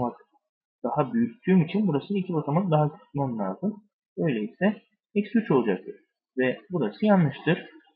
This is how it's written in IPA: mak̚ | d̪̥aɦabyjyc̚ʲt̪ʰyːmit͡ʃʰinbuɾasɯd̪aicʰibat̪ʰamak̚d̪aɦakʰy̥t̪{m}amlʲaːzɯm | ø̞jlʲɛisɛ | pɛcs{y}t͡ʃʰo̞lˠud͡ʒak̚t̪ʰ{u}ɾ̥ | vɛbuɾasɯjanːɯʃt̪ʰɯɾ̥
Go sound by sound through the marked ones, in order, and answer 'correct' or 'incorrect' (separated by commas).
correct, correct, incorrect